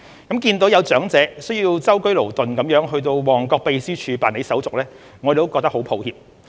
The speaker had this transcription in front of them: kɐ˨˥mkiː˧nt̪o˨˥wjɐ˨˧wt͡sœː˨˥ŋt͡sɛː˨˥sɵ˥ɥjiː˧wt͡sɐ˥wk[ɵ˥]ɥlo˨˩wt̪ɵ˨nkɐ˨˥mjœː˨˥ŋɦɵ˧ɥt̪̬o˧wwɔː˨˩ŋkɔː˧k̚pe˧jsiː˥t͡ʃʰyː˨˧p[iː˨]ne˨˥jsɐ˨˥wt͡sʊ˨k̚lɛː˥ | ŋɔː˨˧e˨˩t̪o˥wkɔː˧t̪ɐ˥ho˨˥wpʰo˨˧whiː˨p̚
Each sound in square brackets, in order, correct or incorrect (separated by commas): correct, incorrect